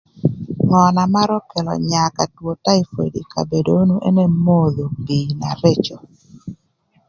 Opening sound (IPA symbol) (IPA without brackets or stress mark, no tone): ŋ